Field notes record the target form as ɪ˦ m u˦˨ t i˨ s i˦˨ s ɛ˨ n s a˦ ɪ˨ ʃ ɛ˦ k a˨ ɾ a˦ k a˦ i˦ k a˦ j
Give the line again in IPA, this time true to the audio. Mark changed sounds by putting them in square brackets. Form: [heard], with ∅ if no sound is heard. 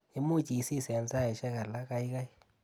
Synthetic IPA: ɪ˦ m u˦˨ [t͡ʃ] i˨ s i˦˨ s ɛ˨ n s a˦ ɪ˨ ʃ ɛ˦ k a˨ [l] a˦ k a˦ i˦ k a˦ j